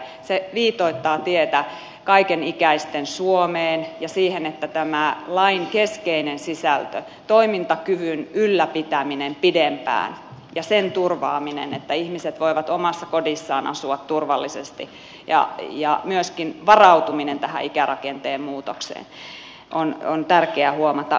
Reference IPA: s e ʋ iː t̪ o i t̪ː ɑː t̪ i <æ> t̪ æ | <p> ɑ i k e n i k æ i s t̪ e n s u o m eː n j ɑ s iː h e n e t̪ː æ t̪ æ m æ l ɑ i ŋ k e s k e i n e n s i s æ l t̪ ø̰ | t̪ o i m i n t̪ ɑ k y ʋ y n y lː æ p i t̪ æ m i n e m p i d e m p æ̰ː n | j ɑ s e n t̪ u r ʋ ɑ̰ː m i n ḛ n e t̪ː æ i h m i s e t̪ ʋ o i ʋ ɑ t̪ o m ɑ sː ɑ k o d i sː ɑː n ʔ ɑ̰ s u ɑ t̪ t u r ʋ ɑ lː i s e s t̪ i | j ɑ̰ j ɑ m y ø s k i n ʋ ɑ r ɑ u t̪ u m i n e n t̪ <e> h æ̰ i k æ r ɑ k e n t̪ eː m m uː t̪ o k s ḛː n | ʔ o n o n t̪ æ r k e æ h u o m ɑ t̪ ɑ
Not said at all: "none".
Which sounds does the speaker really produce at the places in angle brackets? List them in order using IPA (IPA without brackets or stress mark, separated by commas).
e, k, æ